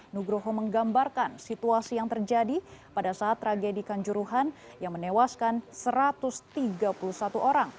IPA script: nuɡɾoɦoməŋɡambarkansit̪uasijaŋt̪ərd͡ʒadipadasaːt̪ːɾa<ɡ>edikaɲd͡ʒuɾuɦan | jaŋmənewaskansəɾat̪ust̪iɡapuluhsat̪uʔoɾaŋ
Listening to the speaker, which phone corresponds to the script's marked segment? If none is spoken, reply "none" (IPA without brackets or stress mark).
ɡ